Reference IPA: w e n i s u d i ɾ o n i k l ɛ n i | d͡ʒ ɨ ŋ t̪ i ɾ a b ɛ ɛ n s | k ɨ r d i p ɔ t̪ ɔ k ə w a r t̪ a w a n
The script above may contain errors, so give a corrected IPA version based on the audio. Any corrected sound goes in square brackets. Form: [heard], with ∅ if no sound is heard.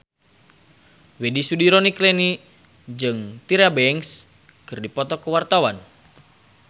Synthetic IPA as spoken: w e [d] i s u d i ɾ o n i k l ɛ n i | d͡ʒ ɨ ŋ t̪ i ɾ a b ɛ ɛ [ŋ] s | k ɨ r d i p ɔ t̪ ɔ k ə w a r t̪ a w a n